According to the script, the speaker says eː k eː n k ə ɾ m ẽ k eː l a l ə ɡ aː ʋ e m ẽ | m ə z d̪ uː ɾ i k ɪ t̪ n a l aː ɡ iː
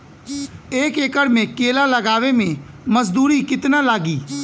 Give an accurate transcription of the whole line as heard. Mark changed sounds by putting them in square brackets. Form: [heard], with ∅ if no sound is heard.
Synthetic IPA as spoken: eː k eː [∅] k ə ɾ m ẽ k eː l a l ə ɡ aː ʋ e m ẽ | m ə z d̪ uː ɾ i k ɪ t̪ n a l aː ɡ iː